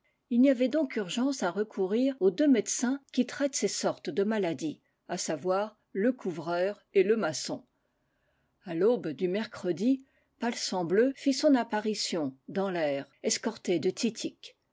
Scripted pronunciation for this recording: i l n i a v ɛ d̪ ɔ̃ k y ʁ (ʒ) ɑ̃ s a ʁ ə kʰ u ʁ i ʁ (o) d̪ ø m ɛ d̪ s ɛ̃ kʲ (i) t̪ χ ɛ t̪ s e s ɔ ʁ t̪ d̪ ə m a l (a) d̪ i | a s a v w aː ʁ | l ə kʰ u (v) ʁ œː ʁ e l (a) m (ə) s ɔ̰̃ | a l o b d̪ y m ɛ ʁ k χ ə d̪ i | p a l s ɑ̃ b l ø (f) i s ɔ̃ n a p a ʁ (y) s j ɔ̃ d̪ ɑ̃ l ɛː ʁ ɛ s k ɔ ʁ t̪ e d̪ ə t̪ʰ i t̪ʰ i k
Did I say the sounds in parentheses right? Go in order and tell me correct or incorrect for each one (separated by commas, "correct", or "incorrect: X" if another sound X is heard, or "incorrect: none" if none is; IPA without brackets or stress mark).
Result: correct, correct, correct, correct, correct, incorrect: ə, incorrect: a, correct, incorrect: i